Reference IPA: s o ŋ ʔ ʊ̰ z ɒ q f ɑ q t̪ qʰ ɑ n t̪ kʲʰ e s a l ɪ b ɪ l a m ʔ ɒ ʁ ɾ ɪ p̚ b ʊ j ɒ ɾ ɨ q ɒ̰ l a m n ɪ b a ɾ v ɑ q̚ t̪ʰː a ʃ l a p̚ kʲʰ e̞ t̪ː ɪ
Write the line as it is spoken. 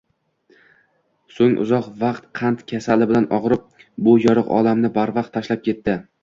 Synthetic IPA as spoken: s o ŋ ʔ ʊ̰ z ɒ q v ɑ q t̪ qʰ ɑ n t̪ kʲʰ a s a l ɪ b ɪ l a n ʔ ɒ ʁ ɾ ɪ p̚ b ʊ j ɒ ɾ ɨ q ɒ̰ l a m n ɪ b a ɾ v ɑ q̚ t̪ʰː a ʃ l a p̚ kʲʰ e̞ t̪ː ɪ

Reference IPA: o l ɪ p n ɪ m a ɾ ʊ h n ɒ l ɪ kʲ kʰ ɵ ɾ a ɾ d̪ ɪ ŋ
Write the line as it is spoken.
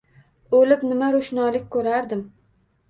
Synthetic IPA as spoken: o l ɪ p n ɪ m a ɾ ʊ ʃ n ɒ l ɪ kʲ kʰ ɵ ɾ a ɾ d̪ ɪ m

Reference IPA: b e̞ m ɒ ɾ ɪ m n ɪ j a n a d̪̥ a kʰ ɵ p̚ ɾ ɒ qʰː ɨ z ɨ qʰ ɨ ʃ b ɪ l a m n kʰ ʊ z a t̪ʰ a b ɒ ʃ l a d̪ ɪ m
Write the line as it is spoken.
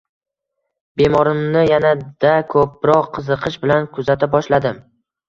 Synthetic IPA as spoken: b e̞ m ɒ ɾ ɪ m n ɪ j a n a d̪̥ a kʰ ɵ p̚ ɾ ɒ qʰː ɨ z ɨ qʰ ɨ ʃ b ɪ l a n kʰ ʊ z a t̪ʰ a b ɒ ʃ l a d̪ ɪ m

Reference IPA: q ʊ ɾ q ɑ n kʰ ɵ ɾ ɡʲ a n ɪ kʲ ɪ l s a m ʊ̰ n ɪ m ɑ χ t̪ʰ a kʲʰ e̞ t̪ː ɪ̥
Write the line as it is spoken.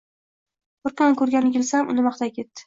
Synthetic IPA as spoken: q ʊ ɾ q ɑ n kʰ ɵ ɾ ɡʲ a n ɪ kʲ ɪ l s a m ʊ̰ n ɪ m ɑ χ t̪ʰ a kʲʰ e̞ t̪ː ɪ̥

